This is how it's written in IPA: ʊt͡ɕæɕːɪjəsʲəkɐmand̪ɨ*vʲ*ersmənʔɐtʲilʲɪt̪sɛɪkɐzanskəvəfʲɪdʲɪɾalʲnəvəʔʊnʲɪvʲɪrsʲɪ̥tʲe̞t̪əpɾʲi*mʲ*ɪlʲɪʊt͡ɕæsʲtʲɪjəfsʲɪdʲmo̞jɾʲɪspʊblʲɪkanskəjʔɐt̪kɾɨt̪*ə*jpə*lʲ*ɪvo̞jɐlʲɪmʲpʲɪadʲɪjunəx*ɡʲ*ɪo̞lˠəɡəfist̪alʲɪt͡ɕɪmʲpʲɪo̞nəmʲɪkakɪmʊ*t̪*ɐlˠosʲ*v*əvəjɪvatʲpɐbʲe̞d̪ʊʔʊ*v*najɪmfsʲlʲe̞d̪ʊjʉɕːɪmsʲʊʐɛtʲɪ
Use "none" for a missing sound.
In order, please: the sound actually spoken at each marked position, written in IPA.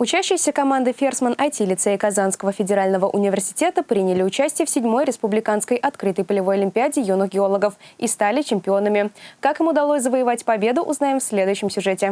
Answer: fʲ, nʲ, ə, lʲ, ɡʲ, d̪, z, z

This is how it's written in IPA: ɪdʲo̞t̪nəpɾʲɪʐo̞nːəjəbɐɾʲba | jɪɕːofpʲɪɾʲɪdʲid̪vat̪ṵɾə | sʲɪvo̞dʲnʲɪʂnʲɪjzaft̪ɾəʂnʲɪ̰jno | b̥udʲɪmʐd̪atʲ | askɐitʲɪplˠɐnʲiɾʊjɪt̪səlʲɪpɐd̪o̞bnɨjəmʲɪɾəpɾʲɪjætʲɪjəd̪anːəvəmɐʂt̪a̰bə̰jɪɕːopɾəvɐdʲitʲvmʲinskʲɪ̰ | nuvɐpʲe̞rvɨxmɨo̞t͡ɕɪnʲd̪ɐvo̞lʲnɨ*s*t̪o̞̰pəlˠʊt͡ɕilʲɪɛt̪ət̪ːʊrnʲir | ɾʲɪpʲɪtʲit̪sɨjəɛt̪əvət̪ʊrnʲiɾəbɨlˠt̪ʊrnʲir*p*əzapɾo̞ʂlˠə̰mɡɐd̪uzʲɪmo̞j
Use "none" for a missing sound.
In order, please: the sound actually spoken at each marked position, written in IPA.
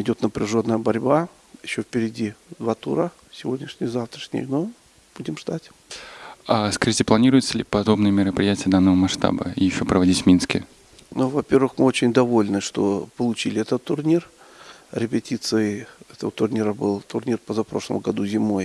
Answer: ʂ, p

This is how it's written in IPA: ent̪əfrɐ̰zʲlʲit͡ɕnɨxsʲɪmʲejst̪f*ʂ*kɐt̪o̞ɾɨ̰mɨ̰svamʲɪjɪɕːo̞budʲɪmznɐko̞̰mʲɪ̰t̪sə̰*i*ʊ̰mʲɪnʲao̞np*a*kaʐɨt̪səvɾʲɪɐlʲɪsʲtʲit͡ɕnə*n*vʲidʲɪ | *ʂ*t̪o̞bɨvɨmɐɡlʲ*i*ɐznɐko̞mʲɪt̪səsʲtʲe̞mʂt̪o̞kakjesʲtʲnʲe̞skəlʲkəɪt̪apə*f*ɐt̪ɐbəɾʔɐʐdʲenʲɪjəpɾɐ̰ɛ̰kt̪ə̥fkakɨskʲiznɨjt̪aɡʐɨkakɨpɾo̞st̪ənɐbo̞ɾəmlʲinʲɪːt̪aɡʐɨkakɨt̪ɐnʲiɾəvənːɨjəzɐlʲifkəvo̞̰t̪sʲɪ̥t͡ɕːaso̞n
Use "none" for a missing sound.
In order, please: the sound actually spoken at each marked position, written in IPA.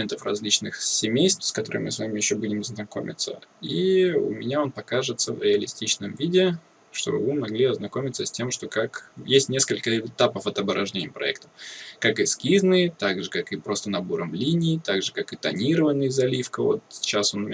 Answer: s, i, ɐ, m, ʂ, i, f

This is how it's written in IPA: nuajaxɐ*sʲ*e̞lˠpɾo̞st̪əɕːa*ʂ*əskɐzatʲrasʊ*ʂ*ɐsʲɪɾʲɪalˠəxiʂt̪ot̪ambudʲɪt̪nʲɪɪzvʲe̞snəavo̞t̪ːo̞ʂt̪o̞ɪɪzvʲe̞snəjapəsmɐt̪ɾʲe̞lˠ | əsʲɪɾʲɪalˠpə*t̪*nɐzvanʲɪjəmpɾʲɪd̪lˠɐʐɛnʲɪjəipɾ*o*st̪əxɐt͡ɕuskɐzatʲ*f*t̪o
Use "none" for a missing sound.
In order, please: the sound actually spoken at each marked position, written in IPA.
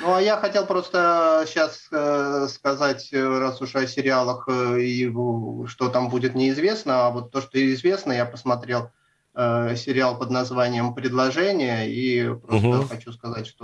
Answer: tʲ, s, ʂ, d̪, o, ʂ

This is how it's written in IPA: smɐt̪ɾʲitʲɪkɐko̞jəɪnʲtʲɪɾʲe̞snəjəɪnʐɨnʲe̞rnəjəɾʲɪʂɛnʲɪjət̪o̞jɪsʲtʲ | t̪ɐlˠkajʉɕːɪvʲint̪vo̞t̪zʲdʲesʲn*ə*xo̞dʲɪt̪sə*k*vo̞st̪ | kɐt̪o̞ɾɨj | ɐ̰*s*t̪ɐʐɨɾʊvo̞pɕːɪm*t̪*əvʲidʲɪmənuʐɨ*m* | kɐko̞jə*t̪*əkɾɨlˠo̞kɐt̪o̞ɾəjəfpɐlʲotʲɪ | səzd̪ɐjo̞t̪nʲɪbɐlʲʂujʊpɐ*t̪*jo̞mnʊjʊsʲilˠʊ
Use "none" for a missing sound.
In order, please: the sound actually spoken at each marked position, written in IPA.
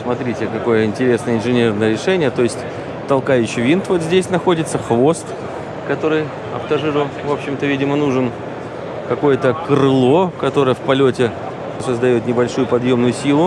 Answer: ɐ, x, f, t̪, n, t̪, d̪

